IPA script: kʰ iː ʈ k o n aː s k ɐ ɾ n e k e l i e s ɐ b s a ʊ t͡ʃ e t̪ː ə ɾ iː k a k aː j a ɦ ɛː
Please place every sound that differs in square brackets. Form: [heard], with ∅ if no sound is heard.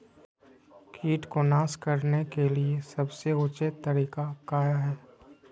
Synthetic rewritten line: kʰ iː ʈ k o n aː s k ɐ ɾ n e k e l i e s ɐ b s [e] ʊ t͡ʃ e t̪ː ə ɾ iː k a k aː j a ɦ ɛː